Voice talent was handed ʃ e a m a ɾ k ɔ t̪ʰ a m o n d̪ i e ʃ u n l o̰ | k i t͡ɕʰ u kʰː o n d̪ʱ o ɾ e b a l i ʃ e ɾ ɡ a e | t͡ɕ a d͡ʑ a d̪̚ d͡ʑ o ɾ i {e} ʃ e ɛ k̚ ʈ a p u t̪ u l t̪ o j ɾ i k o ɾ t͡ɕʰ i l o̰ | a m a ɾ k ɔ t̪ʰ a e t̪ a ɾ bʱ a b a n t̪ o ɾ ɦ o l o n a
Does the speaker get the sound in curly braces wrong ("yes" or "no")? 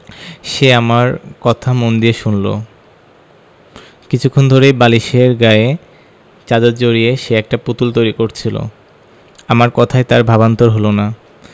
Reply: no